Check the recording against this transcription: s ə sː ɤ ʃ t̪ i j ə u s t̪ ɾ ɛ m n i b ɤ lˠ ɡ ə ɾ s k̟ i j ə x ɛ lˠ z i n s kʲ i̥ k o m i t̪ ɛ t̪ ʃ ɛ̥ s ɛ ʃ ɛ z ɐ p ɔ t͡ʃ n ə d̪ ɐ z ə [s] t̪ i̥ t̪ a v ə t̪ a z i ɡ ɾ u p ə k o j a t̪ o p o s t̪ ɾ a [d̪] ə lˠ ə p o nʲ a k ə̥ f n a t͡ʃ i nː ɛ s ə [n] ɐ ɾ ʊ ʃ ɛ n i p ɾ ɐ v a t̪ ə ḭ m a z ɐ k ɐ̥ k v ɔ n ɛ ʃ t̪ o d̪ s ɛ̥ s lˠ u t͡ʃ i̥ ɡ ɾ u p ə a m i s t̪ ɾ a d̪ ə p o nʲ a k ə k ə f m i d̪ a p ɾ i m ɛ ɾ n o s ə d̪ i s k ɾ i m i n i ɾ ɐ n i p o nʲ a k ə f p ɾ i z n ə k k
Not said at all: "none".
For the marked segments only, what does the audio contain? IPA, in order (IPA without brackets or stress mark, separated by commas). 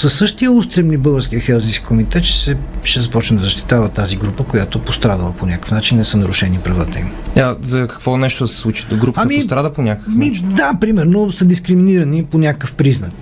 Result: ʃ, d̪, n